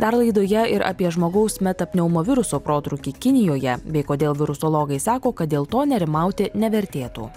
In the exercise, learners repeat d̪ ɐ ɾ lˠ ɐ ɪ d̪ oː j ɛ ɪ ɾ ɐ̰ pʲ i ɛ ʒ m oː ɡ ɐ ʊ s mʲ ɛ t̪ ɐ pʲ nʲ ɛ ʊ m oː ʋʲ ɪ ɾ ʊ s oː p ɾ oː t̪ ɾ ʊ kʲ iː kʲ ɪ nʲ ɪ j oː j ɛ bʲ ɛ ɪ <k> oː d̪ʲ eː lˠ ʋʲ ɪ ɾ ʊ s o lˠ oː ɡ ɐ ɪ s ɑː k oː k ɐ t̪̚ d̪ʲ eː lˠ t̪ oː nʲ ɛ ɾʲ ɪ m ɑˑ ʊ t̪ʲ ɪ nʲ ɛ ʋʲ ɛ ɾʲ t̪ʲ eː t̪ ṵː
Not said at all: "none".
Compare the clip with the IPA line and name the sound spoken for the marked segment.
k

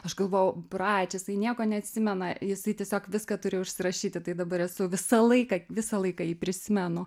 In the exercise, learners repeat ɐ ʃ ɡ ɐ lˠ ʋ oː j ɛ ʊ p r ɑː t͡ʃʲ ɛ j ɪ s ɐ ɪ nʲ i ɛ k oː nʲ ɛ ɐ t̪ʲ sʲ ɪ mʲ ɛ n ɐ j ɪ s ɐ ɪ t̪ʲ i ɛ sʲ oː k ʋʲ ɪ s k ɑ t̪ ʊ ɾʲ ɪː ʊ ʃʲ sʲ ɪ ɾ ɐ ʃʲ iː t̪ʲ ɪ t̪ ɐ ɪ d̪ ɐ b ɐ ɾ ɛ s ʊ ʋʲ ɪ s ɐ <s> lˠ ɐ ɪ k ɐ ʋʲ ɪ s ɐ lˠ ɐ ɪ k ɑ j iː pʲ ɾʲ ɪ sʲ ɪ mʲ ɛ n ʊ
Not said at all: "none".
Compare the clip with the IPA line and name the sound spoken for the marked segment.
none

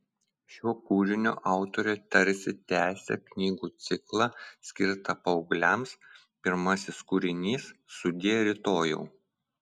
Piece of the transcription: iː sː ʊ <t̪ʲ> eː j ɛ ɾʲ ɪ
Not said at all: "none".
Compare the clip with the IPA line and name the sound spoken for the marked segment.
d̪ʲ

